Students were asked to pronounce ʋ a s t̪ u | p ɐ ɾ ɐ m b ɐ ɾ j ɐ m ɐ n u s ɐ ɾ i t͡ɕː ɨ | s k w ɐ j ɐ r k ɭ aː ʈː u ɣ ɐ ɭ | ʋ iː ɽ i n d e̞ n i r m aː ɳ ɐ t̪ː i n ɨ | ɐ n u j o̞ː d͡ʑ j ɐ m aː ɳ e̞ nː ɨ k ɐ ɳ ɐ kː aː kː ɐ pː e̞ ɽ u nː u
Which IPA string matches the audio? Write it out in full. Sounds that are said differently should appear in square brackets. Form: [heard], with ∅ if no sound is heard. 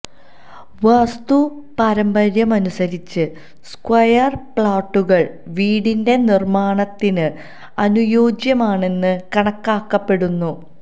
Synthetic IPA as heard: ʋ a s t̪ u | p ɐ ɾ ɐ m b ɐ ɾ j ɐ m ɐ n u s ɐ ɾ i t͡ɕː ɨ | s k w ɐ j ɐ r [p] ɭ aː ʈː u ɣ ɐ ɭ | ʋ iː ɽ i n d e̞ n i r m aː ɳ ɐ t̪ː i n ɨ | ɐ n u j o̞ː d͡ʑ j ɐ m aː ɳ e̞ nː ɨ k ɐ ɳ ɐ kː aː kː ɐ pː e̞ ɽ u nː u